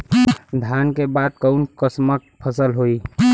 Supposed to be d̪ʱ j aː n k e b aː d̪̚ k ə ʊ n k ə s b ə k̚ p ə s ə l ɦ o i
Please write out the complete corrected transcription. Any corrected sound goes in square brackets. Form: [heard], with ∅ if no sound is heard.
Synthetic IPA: d̪ʱ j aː n k e b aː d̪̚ k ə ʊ n k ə s [m] ə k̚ [pʰ] ə s ə l ɦ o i